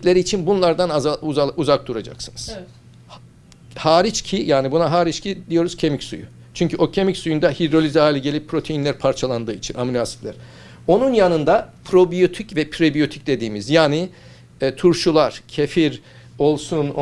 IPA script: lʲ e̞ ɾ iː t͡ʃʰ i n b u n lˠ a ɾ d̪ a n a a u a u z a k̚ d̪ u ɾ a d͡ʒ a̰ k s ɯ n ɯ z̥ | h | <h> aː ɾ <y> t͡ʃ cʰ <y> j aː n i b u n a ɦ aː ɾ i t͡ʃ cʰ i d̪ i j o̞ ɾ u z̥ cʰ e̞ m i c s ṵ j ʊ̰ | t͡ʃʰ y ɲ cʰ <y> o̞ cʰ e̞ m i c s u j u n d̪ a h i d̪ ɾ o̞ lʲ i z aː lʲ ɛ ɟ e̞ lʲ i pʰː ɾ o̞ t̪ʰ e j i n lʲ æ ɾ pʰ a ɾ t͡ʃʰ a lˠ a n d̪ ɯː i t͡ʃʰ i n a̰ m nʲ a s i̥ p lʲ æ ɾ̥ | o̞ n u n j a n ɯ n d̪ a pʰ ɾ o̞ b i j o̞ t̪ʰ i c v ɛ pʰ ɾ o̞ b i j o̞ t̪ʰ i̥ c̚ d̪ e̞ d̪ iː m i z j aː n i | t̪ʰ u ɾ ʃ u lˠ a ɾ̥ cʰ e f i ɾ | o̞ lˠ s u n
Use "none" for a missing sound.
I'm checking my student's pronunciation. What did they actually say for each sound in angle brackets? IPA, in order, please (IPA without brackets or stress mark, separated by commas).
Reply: h, i, i, y